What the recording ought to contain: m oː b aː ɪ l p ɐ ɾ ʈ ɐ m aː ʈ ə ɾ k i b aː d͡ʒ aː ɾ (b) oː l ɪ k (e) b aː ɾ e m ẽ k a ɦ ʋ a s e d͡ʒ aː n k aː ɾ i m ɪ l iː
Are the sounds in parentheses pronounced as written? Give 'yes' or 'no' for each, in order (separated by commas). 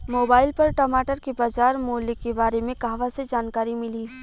no, yes